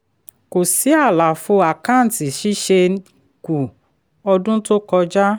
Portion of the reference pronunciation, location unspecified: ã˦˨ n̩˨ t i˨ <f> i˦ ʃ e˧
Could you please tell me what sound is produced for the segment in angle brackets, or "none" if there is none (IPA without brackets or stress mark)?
ʃ